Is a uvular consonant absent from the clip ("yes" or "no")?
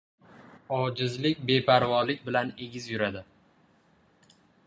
yes